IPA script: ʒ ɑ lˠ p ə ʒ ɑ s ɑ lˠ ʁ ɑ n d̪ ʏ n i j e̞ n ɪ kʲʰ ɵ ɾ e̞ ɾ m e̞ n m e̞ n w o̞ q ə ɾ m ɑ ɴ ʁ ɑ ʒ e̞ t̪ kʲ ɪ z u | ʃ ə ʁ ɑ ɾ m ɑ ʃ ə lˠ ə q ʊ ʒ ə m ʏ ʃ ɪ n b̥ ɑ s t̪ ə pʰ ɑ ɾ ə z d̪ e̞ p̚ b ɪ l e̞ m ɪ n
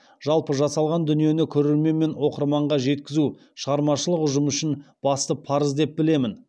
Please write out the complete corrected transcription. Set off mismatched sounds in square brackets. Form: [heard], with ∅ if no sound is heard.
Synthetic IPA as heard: ʒ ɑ lˠ p ə ʒ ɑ s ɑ lˠ ʁ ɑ n d̪ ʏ n i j e̞ n ɪ kʲʰ ɵ ɾ e̞ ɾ m e̞ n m e̞ n w o̞ q ə ɾ m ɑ ɴ ʁ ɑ ʒ e̞ t̪ kʲ ɪ z u | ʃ ə ʁ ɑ ɾ m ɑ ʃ ə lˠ ə q ʊ ʒ ə m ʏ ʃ ɪ n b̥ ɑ s t̪ ə pʰ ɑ ɾ ə z d̪ e̞ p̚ b ɪ l e̞ m ɪ n